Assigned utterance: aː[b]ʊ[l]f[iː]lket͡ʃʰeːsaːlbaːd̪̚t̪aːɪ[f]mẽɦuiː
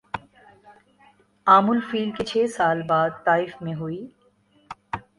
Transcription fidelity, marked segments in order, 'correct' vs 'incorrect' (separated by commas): incorrect, correct, correct, correct